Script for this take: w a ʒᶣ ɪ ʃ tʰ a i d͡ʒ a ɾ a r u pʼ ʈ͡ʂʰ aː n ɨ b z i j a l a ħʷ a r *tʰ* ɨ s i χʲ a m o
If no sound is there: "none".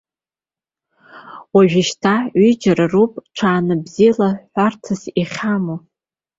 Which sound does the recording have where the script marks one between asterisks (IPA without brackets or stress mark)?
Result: tʰ